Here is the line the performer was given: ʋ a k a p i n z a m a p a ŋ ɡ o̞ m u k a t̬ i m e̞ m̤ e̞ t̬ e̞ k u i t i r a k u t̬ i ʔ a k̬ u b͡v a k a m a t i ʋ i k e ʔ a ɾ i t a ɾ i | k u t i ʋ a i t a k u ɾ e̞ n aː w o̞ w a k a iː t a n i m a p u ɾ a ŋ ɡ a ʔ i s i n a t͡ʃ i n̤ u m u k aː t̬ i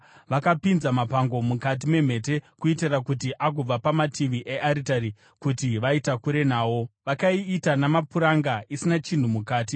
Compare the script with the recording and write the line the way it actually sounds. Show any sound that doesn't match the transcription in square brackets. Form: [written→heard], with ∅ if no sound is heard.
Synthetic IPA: ʋ a k a p i n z a m a p a ŋ ɡ o̞ m u k a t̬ i m e̞ m̤ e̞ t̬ e̞ k u i t i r a k u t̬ i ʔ a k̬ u b͡v a [k→p] a m a t i ʋ i [k→ʔ] e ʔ a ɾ i t a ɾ i | k u t i ʋ a i t a k u ɾ e̞ n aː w o̞ [w→ʋ] a k a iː t a n [i→a] m a p u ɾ a ŋ ɡ a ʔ i s i n a t͡ʃ i n̤ u m u k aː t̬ i